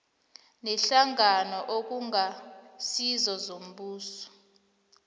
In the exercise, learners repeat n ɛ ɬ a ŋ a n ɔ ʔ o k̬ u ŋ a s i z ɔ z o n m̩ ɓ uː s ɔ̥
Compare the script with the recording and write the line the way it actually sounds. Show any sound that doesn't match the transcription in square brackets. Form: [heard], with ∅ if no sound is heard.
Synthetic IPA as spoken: n ɛ ɬ a ŋ a n ɔ ʔ o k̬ u ŋ a s i z ɔ z o [∅] m̩ ɓ uː s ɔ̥